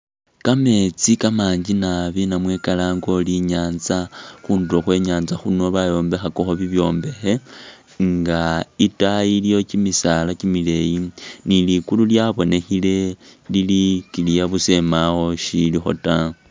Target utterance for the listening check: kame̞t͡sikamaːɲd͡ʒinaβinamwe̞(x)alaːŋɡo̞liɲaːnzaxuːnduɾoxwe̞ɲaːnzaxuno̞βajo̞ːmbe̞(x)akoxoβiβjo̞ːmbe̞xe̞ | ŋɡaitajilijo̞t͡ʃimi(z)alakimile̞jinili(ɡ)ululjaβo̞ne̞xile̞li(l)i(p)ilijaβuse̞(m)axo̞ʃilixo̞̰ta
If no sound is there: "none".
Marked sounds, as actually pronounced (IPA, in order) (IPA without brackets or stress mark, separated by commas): k, x, s, k, l, k, m